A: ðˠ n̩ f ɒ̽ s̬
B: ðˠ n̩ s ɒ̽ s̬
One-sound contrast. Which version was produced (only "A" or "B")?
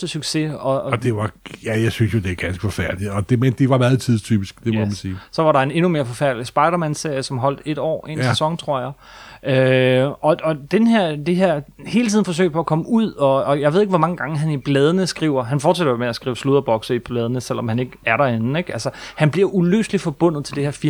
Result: A